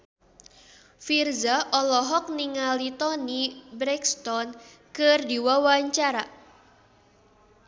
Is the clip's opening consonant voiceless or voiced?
voiceless